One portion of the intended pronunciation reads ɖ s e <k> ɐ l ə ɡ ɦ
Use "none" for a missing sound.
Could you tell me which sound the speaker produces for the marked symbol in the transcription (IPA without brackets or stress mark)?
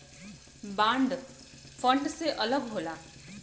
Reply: ʔ